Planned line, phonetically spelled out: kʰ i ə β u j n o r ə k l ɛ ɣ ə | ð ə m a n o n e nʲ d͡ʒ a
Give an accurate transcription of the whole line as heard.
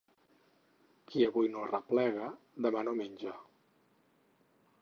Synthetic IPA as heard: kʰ i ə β u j n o r ə p l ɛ ɣ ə | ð ə m a n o m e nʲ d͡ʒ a